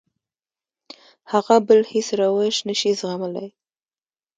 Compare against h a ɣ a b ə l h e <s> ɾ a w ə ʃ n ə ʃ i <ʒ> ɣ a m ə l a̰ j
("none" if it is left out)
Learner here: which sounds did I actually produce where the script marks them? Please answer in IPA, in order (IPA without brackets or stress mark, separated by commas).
s, z